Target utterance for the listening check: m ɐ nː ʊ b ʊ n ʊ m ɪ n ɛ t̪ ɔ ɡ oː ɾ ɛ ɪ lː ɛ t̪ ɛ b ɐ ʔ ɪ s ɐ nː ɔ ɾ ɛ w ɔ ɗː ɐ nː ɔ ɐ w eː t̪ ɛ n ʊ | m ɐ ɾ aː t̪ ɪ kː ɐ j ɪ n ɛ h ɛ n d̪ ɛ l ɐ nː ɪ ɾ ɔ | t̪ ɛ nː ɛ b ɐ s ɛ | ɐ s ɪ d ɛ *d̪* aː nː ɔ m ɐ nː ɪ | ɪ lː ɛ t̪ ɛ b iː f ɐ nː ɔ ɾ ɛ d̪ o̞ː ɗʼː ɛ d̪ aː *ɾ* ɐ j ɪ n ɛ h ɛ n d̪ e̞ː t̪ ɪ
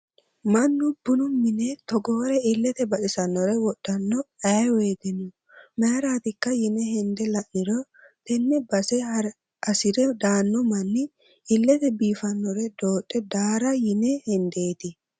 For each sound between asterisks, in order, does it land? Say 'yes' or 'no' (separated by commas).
yes, yes